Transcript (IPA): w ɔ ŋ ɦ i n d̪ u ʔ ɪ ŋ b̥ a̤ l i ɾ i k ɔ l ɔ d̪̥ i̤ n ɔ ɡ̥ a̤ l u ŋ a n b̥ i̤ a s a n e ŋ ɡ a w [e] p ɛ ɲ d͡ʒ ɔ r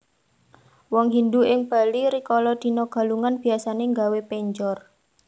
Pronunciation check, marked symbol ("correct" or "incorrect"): correct